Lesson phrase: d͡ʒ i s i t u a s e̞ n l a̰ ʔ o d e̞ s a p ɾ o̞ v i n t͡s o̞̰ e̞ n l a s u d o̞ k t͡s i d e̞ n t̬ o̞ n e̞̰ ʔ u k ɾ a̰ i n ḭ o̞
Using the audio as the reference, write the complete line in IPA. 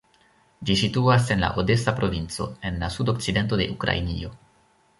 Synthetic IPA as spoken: d͡ʒ i s i t u a s e̞ n l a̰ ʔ o d e̞ s a p ɾ o̞ v i n t͡s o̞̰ e̞ n l a s u d o̞ k t͡s i d e̞ n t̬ o̞ d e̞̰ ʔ u k ɾ a̰ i n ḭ o̞